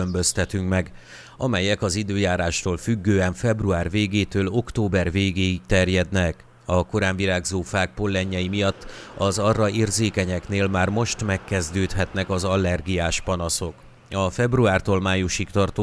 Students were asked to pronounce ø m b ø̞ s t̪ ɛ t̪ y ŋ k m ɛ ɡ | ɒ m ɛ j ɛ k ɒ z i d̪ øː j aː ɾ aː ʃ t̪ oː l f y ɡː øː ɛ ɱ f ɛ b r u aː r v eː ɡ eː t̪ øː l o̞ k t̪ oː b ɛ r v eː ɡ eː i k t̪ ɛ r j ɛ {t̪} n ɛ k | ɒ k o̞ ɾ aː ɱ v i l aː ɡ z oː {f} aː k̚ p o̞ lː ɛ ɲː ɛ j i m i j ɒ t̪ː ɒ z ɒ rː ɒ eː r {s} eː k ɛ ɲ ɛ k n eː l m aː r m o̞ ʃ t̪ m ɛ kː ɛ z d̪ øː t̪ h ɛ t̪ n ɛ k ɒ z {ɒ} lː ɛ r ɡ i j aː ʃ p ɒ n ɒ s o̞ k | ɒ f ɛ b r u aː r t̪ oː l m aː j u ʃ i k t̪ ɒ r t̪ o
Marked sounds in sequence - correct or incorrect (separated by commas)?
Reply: incorrect, correct, incorrect, correct